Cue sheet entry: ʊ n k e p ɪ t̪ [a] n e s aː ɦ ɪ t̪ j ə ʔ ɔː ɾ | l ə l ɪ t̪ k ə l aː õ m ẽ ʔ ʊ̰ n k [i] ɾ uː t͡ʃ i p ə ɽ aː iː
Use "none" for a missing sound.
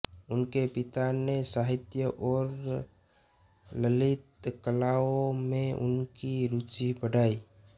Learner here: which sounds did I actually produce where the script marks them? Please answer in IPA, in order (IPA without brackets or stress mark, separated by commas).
a, i